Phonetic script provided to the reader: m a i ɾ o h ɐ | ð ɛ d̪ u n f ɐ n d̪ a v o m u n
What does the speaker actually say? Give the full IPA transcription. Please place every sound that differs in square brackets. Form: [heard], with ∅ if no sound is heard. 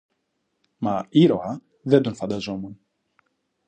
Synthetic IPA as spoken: m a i ɾ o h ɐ | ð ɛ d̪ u n f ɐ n d̪ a [z] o m u n